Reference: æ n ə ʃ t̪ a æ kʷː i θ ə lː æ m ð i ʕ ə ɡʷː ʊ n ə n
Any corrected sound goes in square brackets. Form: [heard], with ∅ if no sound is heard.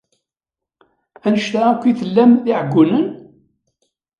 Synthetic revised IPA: æ n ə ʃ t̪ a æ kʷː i θ ə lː æ m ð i ʕ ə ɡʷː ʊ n ə n